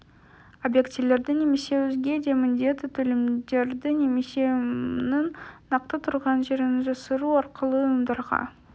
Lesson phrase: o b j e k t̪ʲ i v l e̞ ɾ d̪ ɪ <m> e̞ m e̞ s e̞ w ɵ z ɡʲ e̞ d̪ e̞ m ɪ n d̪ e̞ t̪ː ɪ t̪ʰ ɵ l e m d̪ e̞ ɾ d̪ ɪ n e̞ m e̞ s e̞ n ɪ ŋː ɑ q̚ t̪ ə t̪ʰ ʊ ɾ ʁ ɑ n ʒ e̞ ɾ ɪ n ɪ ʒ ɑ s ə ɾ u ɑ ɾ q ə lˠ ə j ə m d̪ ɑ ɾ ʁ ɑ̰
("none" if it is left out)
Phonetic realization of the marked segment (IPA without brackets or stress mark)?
n